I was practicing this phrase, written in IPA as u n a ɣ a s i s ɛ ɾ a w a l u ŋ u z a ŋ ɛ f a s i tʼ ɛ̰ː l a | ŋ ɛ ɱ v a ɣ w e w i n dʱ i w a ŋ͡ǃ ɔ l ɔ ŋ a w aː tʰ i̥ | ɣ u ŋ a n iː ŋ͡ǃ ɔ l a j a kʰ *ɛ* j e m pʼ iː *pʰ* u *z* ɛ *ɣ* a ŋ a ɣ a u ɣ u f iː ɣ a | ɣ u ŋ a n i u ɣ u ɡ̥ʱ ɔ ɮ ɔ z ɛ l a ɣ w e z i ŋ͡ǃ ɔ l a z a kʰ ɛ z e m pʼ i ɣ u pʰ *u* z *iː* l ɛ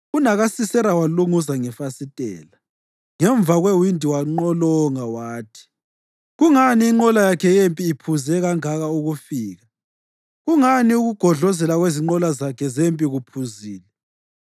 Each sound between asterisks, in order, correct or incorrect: correct, correct, correct, correct, correct, correct

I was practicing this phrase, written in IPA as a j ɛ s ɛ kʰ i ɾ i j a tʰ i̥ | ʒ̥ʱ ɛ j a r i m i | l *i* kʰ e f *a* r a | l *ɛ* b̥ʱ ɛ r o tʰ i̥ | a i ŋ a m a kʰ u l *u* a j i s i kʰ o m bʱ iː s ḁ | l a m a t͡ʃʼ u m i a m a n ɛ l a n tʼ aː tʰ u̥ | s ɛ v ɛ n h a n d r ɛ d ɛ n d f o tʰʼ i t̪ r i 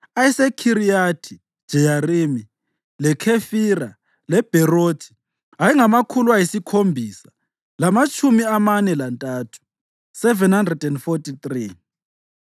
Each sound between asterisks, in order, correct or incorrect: incorrect: ɛ, incorrect: i, correct, incorrect: w

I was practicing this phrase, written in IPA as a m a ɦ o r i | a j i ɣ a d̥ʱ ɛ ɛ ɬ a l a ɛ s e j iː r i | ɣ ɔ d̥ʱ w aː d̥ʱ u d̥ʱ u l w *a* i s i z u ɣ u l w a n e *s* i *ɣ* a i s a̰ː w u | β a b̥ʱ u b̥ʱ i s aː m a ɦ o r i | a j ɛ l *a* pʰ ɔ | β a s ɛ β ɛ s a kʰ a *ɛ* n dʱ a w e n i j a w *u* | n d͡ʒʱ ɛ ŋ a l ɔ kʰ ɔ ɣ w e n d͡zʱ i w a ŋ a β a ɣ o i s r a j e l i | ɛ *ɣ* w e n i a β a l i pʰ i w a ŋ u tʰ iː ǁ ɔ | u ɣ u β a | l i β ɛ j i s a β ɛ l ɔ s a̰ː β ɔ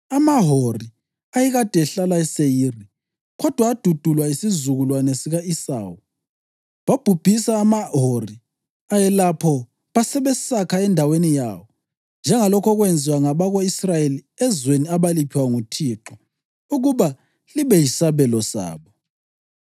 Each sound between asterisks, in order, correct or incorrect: correct, correct, correct, correct, correct, incorrect: ɔ, incorrect: z

